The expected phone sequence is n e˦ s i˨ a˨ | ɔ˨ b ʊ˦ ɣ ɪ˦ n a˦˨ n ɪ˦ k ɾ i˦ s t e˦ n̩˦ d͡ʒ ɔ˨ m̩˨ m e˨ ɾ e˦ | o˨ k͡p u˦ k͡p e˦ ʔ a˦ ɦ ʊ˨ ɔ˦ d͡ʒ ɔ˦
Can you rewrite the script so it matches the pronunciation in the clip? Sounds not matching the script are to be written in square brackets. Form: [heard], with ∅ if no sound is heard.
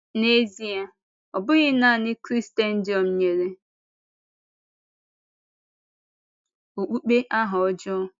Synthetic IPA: n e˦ [z] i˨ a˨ | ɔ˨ b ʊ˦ ɣ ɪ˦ n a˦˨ n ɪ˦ k ɾ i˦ s t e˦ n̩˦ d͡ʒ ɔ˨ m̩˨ [ɲ] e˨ ɾ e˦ | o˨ k͡p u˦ k͡p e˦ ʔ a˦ ɦ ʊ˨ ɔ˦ d͡ʒ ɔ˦